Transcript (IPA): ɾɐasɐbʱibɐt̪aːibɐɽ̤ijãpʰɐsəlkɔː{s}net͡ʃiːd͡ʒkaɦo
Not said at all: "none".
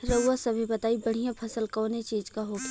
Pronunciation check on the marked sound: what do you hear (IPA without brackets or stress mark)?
none